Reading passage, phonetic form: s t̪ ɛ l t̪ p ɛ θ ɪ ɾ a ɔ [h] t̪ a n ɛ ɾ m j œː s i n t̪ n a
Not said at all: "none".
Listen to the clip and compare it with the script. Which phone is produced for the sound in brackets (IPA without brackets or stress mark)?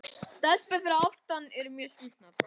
f